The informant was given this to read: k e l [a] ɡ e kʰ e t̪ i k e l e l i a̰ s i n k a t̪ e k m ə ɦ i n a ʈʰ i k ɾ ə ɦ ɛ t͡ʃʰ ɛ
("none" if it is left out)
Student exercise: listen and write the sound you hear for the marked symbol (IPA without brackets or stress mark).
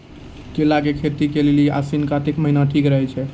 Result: a